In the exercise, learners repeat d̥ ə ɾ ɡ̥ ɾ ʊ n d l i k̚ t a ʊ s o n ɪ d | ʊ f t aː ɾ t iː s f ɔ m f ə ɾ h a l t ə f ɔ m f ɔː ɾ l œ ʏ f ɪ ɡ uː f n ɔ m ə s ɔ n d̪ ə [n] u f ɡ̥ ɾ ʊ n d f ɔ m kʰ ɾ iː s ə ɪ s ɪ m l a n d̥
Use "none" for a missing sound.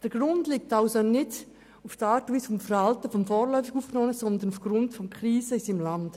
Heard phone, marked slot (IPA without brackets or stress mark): n